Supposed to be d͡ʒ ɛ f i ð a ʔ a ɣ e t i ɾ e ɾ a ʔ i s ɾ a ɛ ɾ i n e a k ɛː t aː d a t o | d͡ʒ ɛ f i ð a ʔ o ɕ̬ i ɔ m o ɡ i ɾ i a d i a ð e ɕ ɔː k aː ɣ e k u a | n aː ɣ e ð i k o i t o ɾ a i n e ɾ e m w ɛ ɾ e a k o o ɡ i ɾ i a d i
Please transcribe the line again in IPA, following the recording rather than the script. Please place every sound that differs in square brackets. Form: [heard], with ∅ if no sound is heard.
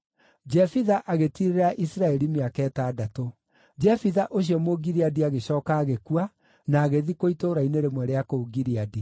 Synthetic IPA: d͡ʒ ɛ f i ð a ʔ a ɣ e t i ɾ e ɾ a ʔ i s ɾ a ɛ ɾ i [m] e a k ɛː t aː d a t o | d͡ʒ ɛ f i ð a ʔ o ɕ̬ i ɔ m o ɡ i ɾ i a d i a [ɣ] e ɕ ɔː k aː ɣ e k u a | n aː ɣ e ð i k o i t o ɾ a i n e ɾ e m w ɛ ɾ e a k o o ɡ i ɾ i a d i